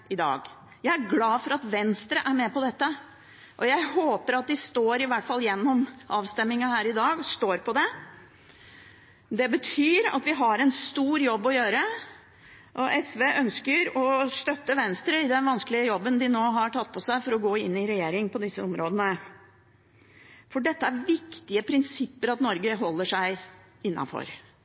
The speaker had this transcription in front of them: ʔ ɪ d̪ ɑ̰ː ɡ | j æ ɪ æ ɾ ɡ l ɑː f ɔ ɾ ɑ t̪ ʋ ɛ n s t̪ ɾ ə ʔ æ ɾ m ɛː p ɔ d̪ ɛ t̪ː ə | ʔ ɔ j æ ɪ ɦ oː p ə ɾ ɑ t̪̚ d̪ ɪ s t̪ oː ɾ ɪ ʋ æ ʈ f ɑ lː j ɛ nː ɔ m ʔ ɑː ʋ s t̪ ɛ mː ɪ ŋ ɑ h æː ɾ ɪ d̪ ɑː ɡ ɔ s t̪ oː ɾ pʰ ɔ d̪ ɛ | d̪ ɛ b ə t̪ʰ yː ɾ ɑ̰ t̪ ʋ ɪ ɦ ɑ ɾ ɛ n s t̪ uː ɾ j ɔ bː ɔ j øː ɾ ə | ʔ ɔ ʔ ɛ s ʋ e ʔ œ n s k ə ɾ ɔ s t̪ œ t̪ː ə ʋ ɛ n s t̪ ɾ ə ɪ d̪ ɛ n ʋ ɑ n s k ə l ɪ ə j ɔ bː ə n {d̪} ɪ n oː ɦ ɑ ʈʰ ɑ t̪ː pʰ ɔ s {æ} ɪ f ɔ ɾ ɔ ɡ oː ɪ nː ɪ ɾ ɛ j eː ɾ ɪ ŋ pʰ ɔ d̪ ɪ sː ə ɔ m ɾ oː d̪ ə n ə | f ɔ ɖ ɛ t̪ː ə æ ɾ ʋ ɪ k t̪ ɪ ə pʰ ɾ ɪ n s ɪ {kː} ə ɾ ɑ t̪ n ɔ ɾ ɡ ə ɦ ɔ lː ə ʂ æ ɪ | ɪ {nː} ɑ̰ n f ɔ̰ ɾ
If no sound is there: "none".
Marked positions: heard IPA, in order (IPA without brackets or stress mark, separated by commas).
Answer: d̪, æ, pː, nː